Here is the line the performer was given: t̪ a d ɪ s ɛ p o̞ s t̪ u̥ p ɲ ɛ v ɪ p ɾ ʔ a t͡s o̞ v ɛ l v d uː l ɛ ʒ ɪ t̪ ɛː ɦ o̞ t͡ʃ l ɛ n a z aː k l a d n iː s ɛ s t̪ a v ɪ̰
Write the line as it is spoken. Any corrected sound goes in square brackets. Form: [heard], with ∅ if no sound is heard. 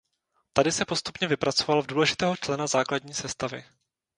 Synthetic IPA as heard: t̪ a d ɪ s ɛ p o̞ s t̪ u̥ p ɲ ɛ v ɪ p ɾ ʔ a t͡s o̞ v [a] l v d uː l ɛ ʒ ɪ t̪ ɛː ɦ o̞ t͡ʃ l ɛ n a z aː k l a d [ɲ] iː s ɛ s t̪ a v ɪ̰